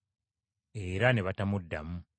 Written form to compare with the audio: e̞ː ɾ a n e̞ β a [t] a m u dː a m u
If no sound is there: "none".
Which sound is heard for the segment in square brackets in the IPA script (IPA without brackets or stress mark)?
t